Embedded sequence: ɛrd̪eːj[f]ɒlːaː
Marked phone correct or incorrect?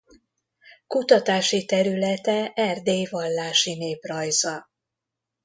incorrect